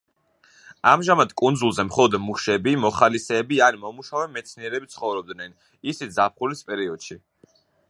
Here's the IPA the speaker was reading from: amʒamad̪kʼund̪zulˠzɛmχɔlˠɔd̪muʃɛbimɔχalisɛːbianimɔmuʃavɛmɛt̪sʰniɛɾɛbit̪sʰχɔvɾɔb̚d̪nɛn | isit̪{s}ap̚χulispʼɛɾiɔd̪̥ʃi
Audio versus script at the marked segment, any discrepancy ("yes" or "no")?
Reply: yes